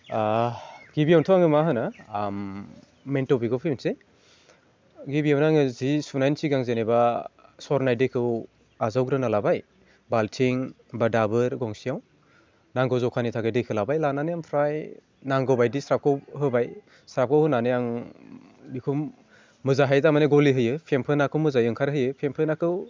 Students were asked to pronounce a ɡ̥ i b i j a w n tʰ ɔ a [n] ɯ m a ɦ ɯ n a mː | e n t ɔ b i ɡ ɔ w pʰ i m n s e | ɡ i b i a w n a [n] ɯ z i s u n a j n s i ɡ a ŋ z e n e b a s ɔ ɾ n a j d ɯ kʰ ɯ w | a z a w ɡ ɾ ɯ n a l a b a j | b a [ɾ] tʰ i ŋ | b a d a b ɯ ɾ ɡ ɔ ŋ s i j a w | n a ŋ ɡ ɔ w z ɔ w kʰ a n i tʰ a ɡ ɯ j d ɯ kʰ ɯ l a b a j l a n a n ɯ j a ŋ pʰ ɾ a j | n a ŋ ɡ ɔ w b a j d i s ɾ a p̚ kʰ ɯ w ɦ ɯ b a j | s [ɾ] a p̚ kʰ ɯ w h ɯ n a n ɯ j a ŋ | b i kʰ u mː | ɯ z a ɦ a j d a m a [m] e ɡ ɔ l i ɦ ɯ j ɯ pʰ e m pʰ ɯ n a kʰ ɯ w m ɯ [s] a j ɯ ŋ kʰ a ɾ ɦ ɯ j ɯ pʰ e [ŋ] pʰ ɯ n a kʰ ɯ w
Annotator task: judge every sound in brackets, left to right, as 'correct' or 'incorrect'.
incorrect, incorrect, incorrect, correct, incorrect, incorrect, incorrect

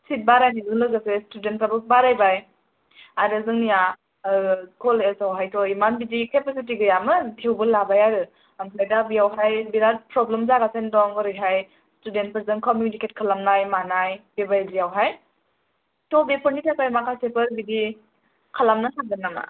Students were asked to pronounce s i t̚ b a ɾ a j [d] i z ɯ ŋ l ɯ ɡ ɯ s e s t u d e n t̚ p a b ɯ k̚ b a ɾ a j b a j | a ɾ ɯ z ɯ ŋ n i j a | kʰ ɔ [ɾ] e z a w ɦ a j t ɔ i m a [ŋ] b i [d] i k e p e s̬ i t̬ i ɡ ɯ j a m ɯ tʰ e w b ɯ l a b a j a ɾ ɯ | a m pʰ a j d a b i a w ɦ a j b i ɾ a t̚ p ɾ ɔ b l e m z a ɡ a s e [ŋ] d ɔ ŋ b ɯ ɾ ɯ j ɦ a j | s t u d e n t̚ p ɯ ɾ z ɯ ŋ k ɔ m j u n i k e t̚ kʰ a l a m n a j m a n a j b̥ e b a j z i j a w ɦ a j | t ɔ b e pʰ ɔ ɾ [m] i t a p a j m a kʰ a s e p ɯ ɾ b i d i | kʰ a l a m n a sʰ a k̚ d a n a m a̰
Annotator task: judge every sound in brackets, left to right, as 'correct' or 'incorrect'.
incorrect, incorrect, incorrect, correct, incorrect, incorrect

